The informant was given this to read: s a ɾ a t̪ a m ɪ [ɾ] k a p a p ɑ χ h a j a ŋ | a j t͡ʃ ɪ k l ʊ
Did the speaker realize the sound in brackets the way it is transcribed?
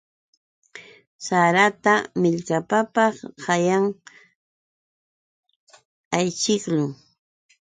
no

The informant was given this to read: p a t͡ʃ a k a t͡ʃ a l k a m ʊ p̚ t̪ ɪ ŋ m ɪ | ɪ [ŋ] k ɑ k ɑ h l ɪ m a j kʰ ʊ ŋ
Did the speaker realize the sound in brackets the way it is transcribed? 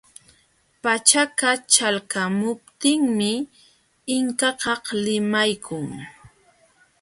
yes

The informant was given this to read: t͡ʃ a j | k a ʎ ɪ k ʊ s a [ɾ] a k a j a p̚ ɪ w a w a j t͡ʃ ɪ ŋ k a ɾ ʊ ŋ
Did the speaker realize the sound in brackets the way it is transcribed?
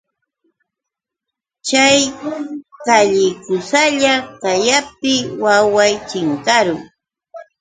no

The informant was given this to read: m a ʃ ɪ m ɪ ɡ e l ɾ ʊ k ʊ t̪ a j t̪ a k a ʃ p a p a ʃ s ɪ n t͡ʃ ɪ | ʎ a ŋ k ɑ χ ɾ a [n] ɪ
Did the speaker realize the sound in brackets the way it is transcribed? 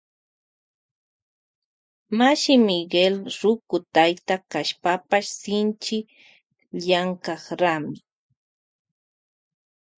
no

